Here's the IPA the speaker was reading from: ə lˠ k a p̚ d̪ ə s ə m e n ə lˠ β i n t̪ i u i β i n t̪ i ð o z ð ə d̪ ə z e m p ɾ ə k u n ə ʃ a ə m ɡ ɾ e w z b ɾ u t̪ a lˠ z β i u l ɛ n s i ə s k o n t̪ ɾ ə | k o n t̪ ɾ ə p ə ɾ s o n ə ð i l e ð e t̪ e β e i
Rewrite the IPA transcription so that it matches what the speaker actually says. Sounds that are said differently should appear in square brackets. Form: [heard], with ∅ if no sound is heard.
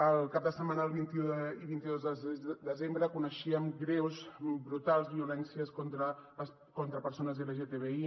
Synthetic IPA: ə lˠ k a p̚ d̪ ə s ə m [a] n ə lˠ β i n t̪ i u i β i n t̪ i ð o z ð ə d̪ ə z e m [b] ɾ ə k u n ə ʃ [i] ə m ɡ ɾ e w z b ɾ u t̪ a lˠ z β i u l ɛ n s i ə s k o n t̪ ɾ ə | k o n t̪ ɾ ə p ə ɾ s o n ə [z] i l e [ʒ] e t̪ e β e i